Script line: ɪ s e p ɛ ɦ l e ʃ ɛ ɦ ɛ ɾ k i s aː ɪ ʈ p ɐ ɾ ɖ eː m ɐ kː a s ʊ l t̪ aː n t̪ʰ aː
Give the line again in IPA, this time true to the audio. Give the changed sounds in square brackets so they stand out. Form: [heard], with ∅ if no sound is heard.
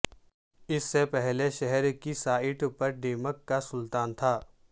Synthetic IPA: ɪ [sː] e p ɛ ɦ l e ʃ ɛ ɦ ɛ ɾ k i s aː ɪ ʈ p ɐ ɾ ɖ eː m [ə] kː a s ʊ l t̪ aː n t̪ʰ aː